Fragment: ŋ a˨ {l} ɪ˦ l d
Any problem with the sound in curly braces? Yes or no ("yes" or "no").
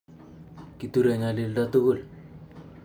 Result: no